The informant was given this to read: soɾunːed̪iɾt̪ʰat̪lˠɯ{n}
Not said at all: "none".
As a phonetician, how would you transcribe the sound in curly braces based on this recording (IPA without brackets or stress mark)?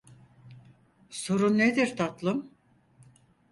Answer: m